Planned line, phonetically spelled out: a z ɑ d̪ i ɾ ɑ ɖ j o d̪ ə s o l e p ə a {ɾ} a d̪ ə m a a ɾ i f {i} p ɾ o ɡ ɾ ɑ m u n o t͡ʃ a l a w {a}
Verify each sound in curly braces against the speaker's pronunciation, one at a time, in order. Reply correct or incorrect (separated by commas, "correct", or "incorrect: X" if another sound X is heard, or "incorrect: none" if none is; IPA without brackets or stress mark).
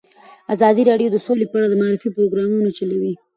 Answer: incorrect: ɽ, correct, incorrect: i